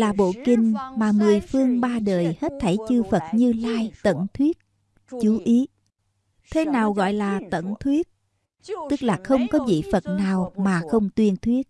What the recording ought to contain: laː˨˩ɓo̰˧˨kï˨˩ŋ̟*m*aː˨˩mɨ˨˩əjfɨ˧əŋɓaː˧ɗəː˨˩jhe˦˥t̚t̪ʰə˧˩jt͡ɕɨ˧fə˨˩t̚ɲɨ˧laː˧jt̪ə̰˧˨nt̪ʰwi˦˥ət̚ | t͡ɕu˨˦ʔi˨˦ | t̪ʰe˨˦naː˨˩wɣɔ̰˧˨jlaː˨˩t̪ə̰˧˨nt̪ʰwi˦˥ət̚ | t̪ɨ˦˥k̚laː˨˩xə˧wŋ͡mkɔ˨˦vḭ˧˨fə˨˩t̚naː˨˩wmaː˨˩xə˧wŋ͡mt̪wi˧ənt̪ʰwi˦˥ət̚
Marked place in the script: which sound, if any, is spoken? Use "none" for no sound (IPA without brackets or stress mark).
m